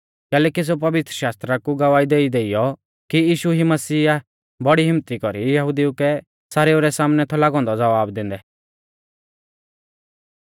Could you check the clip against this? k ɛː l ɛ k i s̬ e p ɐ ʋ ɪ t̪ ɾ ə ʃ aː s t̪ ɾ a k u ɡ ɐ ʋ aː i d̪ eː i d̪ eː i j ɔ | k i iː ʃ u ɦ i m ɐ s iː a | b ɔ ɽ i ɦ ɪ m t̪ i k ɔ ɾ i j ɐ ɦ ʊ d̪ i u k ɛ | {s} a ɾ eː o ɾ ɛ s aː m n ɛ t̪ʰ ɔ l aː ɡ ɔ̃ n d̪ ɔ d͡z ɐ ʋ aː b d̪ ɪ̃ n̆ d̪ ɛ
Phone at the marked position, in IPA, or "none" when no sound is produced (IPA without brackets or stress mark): s